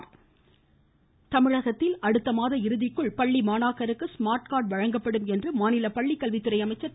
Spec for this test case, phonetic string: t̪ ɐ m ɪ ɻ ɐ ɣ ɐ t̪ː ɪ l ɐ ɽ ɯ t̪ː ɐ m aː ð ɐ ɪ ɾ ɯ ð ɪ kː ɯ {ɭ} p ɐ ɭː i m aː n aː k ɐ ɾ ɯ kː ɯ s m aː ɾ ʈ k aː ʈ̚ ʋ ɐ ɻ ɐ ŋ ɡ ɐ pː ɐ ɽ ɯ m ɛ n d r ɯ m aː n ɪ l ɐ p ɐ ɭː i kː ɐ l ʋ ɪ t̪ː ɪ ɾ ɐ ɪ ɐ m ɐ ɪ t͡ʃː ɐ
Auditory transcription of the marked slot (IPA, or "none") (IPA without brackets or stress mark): ɭ